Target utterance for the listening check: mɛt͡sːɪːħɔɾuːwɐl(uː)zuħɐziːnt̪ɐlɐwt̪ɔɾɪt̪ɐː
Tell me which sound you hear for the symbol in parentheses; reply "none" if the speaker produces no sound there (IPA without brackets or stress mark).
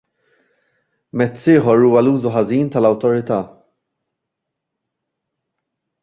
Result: uː